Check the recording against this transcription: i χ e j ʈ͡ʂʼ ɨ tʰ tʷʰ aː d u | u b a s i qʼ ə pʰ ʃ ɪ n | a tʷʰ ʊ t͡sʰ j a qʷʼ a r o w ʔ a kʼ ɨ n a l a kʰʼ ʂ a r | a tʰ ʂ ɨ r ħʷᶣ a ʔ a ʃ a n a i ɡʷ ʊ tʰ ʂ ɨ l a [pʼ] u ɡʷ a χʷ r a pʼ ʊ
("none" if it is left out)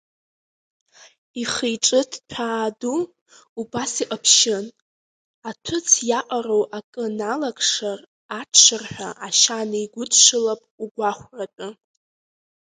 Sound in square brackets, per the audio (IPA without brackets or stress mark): pʼ